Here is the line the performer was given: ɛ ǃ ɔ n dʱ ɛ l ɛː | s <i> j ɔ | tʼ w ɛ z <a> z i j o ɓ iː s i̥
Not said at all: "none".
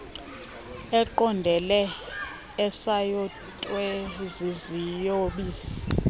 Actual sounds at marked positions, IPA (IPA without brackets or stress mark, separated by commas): a, i